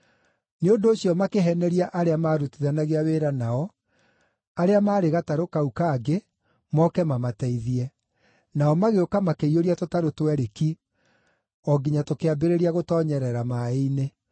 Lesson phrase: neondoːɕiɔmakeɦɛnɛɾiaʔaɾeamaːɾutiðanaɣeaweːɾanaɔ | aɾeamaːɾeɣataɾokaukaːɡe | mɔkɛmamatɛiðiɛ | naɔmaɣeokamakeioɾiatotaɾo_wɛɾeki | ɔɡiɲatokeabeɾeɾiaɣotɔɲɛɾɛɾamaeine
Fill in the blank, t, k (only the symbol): t